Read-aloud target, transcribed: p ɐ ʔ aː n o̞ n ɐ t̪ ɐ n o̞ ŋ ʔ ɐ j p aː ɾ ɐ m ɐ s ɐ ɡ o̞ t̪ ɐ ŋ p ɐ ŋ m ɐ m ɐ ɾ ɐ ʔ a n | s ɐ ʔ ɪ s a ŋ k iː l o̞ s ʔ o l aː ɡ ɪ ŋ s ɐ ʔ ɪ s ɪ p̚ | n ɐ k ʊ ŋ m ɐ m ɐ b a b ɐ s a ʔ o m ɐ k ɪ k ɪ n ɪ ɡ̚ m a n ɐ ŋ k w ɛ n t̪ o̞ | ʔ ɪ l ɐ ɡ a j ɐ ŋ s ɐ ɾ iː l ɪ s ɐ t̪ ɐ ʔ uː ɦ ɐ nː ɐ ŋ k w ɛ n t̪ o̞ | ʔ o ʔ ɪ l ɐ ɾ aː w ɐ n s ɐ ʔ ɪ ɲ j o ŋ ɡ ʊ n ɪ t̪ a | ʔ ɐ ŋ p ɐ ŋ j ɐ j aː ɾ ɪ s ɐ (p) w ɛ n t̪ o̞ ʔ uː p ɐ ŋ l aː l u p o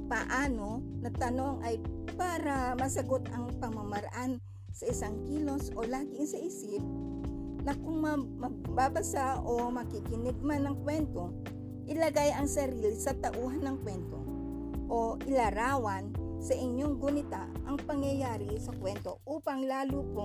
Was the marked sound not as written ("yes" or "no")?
yes